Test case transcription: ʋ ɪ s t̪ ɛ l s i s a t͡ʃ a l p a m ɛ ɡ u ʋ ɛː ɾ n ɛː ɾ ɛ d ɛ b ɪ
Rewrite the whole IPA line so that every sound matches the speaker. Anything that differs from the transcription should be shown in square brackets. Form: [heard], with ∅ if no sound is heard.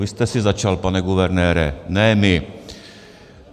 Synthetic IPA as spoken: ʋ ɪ s t̪ ɛ [∅] s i [z] a t͡ʃ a l p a [n] ɛ ɡ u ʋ [ɛ] ɾ n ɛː ɾ ɛ [n] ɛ [m] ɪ